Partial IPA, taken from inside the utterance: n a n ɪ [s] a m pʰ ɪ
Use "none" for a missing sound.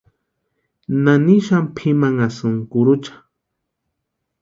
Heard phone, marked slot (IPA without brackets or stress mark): ʃ